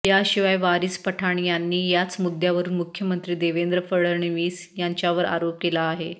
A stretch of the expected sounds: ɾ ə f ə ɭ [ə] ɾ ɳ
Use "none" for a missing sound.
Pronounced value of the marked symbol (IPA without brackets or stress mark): ə